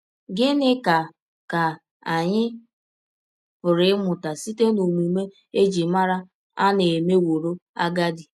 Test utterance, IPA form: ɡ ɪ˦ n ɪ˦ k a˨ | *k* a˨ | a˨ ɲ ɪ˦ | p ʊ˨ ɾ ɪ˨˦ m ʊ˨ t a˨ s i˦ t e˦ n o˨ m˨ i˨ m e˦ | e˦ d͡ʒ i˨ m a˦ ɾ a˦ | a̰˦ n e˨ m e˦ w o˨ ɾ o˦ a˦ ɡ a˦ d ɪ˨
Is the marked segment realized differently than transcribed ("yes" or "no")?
no